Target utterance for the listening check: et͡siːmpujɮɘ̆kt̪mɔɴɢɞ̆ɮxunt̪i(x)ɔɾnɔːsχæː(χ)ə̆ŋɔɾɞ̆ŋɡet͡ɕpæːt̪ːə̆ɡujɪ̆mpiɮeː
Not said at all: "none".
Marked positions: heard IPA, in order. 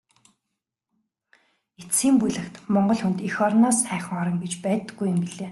x, χ

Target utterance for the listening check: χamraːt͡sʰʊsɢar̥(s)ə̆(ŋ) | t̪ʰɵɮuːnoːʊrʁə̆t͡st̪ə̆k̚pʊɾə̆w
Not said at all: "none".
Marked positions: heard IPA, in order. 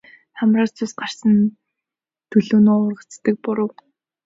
s, n

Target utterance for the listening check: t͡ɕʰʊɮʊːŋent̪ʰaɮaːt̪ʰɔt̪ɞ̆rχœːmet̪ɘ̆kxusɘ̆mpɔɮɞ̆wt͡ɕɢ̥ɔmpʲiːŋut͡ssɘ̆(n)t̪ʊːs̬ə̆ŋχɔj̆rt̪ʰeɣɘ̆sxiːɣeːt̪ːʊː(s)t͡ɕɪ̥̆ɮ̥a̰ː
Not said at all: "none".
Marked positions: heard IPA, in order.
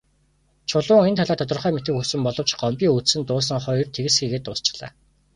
n, s

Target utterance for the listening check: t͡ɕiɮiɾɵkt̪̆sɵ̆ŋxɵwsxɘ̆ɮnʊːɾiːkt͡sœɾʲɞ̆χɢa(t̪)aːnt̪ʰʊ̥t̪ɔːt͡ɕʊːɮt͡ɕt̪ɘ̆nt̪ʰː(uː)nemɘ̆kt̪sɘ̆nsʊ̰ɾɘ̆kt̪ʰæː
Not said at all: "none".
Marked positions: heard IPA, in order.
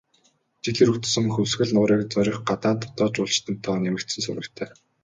t̪, ɔː

